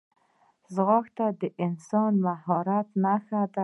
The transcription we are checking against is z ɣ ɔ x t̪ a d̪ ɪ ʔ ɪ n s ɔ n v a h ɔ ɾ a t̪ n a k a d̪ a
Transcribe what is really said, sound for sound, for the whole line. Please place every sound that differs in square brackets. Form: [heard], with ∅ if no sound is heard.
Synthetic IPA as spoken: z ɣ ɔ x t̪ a d̪ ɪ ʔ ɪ n s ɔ n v a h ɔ ɾ a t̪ n a [x] a d̪ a

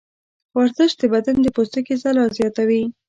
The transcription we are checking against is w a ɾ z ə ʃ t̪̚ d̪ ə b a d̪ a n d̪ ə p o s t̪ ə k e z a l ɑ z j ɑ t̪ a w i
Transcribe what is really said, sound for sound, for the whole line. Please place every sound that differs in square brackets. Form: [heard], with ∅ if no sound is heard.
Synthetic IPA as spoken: w a ɾ z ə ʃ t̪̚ d̪ ə b a d̪ a n d̪ ə p o s t̪ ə k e z a l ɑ z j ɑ t̪ a w i

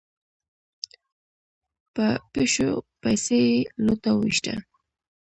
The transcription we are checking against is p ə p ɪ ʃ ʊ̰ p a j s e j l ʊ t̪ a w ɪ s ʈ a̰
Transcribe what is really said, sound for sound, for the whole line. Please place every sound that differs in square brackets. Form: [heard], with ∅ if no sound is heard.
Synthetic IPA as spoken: p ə p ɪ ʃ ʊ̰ p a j s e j l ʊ t̪ a w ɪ [ʃ] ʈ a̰

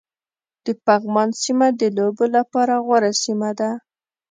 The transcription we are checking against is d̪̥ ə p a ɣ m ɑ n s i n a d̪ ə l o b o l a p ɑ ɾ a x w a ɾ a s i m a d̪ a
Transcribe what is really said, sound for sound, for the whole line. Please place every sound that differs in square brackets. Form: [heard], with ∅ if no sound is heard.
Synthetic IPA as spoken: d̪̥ ə p a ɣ m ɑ n s i [m] a d̪ ə l o b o l a p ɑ ɾ a [ɣ] w a ɾ a s i m a d̪ a

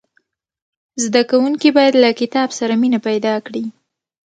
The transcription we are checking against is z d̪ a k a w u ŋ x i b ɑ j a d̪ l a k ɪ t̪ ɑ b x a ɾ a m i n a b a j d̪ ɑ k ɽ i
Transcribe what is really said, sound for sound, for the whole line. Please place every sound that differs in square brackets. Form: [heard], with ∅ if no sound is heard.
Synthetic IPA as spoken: z d̪ a k a w u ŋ [k] i b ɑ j a d̪ l a k ɪ t̪ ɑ b [s] a ɾ a m i n a [p] a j d̪ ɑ k ɽ i

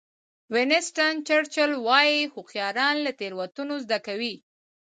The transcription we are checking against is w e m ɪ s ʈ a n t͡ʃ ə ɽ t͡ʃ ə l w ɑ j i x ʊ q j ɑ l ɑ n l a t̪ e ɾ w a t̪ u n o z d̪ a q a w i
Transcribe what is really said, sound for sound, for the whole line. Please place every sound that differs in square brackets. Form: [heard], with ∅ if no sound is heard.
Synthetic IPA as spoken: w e [n] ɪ s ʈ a n t͡ʃ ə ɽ t͡ʃ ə l w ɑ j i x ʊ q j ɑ [ɾ] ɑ n l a t̪ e ɾ w a t̪ u n o z d̪ a [k] a w i

